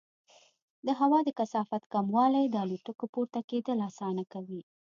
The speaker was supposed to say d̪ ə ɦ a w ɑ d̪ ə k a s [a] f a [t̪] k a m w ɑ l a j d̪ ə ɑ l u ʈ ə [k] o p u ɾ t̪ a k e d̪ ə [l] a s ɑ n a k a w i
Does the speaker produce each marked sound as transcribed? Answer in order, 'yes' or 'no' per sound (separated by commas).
no, yes, yes, yes